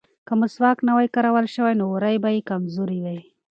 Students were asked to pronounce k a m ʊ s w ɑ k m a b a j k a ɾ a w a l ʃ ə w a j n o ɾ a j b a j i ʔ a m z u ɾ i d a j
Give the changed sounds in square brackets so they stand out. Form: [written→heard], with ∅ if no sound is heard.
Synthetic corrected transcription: k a m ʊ s w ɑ k [m→n] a [b→w] a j k a ɾ a w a l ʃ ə w a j n o ɾ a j b a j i [ʔ→k] a m z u ɾ i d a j